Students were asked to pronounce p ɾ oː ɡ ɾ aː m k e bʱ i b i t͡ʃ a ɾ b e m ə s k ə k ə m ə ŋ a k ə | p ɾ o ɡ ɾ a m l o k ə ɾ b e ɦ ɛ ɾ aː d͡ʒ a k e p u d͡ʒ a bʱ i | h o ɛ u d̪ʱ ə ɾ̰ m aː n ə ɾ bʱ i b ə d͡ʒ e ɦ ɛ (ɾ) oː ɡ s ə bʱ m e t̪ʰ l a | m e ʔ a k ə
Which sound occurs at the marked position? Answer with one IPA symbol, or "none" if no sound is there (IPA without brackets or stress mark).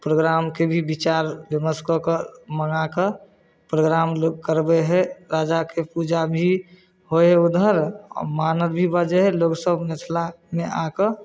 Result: l